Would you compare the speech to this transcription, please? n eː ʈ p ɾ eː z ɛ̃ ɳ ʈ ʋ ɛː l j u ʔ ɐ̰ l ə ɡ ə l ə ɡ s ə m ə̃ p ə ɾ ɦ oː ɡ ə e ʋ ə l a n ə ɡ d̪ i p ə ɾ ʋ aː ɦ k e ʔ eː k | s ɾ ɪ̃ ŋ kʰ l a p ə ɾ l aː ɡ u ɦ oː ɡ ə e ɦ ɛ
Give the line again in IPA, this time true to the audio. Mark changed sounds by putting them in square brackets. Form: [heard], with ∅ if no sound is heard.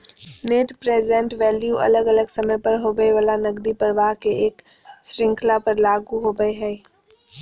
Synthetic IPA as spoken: n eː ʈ p ɾ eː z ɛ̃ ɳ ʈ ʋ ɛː l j u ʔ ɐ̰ l ə ɡ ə l ə ɡ s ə m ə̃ p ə ɾ ɦ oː ɡ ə e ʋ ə l a n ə ɡ d̪ i p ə ɾ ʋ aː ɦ k e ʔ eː k | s ɾ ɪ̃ ŋ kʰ l a p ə ɾ l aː ɡ u ɦ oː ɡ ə e ɦ ɛ